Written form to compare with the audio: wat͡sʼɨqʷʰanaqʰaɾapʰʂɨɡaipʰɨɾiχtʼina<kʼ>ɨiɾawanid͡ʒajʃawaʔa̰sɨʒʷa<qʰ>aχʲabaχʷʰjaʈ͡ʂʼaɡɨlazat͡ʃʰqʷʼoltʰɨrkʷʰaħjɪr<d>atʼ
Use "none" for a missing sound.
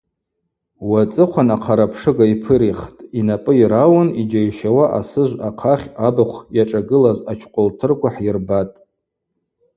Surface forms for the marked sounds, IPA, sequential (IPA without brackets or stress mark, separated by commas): pʼ, qʰ, b